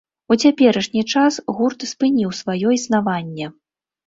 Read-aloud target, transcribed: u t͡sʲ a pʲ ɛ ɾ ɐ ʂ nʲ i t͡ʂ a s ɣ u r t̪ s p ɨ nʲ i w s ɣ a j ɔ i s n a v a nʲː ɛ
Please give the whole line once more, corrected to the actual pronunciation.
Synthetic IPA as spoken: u t͡sʲ a pʲ ɛ ɾ ɐ ʂ nʲ i t͡ʂ a s ɣ u r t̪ s p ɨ nʲ i w s v a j ɔ i s n a v a nʲː ɛ